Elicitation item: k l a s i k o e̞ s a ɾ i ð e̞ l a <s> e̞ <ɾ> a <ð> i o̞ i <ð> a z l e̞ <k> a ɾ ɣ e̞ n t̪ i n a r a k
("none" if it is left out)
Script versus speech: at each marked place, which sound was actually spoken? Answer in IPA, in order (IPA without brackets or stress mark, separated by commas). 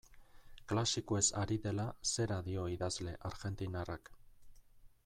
s, ɾ, ð, ð, ʔ